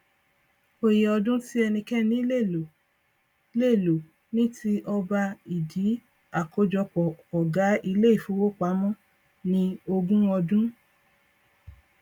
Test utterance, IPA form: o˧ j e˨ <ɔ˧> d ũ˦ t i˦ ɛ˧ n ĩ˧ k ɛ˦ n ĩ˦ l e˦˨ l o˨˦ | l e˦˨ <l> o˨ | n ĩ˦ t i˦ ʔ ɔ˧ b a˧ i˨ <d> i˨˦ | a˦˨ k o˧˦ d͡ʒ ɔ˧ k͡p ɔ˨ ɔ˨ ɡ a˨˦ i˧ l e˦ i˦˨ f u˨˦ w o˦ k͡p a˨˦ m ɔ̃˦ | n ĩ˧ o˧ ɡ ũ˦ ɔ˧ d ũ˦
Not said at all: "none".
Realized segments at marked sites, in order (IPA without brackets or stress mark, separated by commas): ɔ˧, l, d